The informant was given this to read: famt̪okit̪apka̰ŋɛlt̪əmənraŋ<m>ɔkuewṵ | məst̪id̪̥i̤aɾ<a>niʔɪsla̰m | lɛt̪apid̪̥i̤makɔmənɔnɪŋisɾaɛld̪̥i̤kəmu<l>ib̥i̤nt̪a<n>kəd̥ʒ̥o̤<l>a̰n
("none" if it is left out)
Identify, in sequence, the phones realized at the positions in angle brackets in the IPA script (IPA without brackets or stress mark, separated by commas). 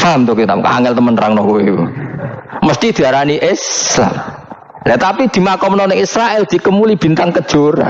n, a, l, ŋ, ɾ